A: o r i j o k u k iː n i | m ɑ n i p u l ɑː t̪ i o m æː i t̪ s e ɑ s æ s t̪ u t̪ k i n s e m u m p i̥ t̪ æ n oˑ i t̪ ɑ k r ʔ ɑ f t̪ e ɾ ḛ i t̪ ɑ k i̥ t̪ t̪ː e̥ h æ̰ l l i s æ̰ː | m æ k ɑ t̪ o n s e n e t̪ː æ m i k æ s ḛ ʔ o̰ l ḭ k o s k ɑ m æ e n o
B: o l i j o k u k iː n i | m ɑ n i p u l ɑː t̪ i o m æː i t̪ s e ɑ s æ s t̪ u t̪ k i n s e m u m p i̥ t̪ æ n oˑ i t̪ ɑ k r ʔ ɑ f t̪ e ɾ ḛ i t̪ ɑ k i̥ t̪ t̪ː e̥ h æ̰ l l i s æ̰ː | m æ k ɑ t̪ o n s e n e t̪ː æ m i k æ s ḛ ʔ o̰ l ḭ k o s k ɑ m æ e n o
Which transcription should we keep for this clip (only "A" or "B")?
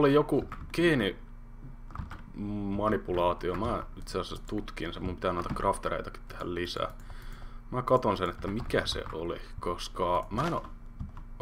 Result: B